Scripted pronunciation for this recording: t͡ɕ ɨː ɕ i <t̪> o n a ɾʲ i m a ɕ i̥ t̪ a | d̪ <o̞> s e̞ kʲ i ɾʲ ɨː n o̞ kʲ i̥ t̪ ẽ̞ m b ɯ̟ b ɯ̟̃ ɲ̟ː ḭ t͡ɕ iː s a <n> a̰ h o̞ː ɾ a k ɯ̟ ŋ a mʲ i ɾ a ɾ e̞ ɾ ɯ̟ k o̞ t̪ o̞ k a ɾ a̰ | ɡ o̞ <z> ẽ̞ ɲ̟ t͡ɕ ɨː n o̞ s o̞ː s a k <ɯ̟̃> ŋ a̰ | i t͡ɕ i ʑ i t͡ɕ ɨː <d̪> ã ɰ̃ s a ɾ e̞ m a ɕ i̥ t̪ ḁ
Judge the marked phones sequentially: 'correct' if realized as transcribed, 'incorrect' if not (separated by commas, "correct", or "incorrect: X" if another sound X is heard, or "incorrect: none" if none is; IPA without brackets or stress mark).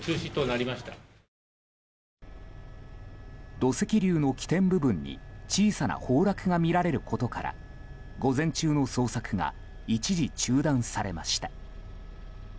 correct, correct, correct, correct, incorrect: ɯ̟, correct